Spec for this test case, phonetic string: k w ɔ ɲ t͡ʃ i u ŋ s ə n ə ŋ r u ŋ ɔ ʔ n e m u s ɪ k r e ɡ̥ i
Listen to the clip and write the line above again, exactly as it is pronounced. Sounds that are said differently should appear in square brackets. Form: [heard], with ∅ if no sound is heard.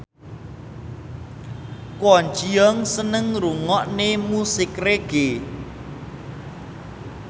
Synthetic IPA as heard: k w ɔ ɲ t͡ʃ i [ɔ] ŋ s ə n ə ŋ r u ŋ ɔ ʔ n e m u s ɪ k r e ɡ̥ [e]